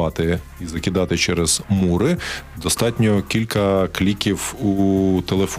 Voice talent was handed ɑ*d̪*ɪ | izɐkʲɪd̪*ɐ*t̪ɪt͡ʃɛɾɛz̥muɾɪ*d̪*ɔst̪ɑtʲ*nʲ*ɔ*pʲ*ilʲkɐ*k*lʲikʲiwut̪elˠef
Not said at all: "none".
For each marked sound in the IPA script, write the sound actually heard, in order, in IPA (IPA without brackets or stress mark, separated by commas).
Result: t̪, ɑ, d̪, nʲ, kʲ, k